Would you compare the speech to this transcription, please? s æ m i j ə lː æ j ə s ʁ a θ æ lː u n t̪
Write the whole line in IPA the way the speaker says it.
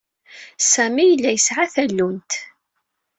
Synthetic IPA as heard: s æ m i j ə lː æ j ə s ʕ a θ æ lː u n t̪